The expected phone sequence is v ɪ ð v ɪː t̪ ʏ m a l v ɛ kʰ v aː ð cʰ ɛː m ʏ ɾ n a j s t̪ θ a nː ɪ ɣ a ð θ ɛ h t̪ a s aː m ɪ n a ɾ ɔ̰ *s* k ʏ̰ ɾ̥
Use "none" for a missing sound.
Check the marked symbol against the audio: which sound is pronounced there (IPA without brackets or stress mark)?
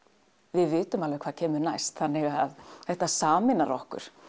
h